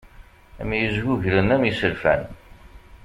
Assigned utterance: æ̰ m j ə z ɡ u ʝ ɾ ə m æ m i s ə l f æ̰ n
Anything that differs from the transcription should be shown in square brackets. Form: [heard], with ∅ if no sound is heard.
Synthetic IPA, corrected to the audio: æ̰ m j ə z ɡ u ʝ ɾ ə [n] æ m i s ə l f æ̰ n